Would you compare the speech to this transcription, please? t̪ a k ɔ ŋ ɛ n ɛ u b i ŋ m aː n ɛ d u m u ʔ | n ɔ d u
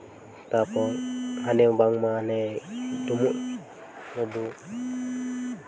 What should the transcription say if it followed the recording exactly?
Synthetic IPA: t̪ a p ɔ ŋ a n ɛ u b a ŋ m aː n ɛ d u m u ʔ | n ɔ d u